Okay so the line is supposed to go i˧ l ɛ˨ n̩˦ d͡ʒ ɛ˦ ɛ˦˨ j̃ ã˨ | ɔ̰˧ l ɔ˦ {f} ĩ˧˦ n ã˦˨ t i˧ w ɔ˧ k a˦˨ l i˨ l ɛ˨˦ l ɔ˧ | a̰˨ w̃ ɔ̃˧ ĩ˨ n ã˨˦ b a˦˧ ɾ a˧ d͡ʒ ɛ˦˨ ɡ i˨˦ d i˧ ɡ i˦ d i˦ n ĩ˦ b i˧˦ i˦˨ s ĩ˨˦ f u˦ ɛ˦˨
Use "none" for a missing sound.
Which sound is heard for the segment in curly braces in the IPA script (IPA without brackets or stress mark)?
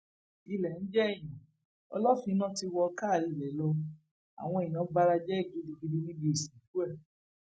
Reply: f